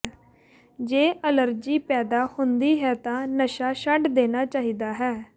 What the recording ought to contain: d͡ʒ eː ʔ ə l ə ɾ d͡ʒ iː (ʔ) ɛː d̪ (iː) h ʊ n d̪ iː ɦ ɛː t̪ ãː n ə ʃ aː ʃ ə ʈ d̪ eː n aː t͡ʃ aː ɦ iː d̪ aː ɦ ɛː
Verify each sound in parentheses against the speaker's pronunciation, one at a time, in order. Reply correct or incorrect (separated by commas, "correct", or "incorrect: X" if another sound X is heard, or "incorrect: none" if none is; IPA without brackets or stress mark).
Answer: incorrect: p, incorrect: aː